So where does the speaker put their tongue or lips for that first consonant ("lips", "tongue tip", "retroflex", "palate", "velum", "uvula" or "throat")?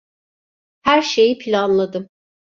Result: throat